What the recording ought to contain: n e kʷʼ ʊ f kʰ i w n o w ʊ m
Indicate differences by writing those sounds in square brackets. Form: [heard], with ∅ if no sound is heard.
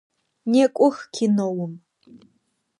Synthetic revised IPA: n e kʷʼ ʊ [x] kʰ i [∅] n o w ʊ m